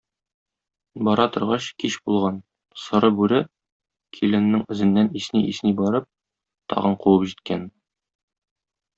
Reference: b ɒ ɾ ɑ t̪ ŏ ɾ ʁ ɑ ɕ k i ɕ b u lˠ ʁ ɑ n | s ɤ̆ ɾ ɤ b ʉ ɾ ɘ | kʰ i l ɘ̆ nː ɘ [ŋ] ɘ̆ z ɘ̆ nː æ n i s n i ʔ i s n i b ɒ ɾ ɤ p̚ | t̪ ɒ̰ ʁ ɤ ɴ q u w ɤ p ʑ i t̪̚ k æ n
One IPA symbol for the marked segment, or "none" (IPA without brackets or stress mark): ŋ